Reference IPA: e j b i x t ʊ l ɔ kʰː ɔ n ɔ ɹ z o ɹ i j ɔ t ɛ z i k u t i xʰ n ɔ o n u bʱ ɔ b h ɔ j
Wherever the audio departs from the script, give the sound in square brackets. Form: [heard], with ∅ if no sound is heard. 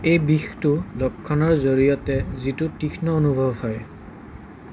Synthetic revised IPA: e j b i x t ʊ l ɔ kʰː ɔ n ɔ ɹ z o ɹ i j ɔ t ɛ z i [t] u t i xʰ n ɔ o n u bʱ ɔ b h ɔ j